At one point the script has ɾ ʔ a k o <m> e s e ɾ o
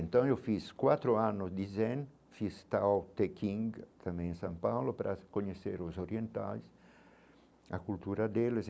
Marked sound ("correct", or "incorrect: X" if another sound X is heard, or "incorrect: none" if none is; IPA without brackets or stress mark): incorrect: ɲ